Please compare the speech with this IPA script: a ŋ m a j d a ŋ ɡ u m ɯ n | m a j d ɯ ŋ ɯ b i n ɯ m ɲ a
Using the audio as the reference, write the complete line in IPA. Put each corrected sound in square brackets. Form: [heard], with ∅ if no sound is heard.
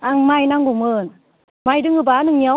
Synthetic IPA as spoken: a ŋ m a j [n] a ŋ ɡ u m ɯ n | m a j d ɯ ŋ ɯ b [a] n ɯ [ŋ] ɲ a